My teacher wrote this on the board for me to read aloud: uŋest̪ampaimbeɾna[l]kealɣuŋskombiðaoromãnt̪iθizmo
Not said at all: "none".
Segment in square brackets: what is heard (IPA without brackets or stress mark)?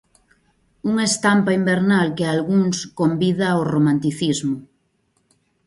l